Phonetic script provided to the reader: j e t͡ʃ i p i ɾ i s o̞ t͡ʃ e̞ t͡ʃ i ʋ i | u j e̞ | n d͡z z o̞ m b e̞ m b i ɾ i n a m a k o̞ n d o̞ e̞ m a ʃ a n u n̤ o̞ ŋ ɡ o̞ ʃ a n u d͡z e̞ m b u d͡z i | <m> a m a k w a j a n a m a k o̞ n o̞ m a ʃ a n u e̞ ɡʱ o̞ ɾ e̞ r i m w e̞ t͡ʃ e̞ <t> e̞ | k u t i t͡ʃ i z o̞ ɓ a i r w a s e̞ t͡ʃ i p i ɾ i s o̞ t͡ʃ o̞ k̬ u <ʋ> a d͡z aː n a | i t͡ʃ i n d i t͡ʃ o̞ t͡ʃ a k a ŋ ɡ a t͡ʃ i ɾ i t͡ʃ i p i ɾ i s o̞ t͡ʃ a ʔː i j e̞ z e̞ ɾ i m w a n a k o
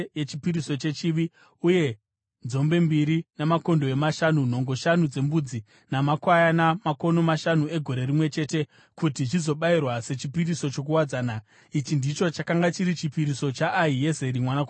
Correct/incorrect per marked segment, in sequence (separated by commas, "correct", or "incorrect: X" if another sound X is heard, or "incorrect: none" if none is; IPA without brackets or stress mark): incorrect: n, correct, incorrect: w